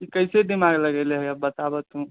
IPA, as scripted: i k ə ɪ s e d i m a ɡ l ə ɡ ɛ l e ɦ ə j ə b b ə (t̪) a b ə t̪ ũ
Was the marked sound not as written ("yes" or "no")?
no